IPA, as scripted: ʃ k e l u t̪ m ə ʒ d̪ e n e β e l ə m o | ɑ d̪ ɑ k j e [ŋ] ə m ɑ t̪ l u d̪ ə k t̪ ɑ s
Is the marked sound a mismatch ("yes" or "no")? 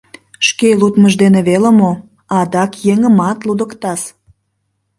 no